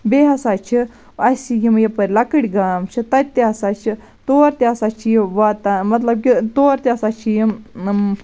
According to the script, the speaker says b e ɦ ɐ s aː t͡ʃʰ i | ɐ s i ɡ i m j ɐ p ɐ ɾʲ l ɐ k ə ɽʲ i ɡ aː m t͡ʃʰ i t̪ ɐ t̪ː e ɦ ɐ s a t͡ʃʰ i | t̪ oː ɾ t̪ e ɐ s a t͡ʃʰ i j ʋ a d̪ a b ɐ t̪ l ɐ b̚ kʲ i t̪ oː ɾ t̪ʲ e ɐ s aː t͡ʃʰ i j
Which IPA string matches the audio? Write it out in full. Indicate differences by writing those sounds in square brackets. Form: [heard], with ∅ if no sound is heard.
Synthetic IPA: b e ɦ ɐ s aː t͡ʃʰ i | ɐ s i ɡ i m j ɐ p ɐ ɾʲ l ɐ k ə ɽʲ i ɡ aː m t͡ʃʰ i t̪ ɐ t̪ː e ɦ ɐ s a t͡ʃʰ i | t̪ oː ɾ t̪ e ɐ s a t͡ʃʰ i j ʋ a [t̪] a [m] ɐ t̪ l ɐ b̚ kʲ i t̪ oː ɾ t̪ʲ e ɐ s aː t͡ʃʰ i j